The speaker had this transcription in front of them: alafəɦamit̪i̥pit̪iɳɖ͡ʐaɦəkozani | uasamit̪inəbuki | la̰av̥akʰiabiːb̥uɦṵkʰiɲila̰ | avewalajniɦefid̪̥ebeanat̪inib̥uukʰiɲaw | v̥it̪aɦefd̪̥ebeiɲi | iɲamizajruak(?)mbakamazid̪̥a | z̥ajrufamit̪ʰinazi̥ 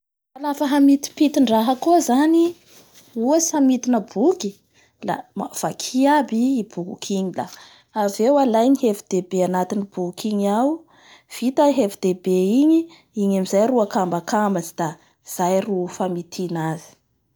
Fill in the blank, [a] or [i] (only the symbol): a